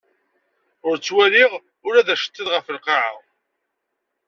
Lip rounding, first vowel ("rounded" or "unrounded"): rounded